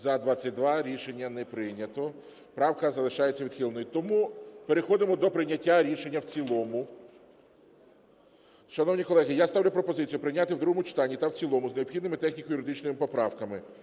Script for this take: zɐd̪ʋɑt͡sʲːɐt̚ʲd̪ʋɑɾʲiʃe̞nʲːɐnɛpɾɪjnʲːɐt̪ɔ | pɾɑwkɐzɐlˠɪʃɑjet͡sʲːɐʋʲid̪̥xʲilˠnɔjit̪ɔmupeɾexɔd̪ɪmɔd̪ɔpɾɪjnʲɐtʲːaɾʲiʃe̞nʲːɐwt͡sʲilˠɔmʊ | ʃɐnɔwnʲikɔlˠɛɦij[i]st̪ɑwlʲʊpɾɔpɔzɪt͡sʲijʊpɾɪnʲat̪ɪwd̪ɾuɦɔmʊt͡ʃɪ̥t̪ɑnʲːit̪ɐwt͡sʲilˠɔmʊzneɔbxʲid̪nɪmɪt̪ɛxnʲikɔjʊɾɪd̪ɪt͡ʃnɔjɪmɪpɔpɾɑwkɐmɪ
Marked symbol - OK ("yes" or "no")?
no